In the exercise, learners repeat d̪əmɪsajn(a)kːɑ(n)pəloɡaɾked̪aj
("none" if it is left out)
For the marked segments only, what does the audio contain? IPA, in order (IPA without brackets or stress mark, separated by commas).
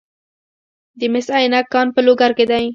a, n